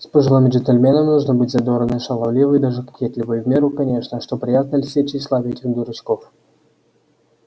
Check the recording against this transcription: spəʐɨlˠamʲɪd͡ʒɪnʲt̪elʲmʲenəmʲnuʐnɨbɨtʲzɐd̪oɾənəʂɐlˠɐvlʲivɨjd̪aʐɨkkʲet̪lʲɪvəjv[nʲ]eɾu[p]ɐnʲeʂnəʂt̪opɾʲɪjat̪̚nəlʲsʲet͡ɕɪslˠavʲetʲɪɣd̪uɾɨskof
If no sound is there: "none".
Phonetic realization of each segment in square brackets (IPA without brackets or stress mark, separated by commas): mʲ, k